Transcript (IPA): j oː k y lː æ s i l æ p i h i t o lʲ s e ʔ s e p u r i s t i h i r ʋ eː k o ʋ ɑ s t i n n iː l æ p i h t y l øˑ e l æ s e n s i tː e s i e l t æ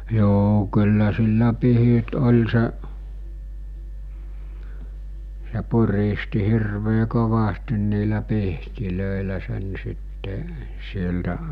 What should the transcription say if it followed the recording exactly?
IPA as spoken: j oː k y lː æ s i lː æ p i h i t o lʲ s e ʔ s e p u r i s t i h i r ʋ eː k o ʋ ɑ s t i n n iː l æ p i h t i l øˑ e l æ s e n s i tː e s i e l t æ